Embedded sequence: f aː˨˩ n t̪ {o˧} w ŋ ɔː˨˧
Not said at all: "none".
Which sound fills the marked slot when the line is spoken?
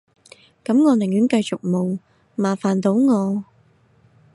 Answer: o˨˥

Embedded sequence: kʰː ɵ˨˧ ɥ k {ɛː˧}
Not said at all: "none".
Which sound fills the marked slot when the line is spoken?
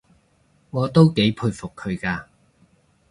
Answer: aː˧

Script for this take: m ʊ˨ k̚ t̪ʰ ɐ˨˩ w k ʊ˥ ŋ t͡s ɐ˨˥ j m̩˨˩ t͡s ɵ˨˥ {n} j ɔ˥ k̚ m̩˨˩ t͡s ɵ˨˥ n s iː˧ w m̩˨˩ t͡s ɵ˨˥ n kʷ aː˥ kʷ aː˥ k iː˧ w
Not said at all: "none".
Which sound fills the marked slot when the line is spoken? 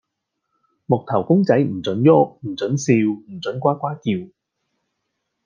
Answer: n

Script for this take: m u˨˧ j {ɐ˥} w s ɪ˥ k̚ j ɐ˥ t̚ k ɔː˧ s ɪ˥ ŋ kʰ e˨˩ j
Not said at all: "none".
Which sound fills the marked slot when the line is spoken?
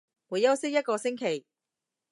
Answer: ɐ˥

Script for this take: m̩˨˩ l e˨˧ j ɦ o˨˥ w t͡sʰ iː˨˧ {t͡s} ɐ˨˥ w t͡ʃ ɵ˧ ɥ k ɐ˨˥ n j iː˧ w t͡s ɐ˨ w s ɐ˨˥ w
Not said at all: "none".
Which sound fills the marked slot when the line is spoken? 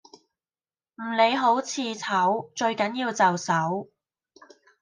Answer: t͡sʰ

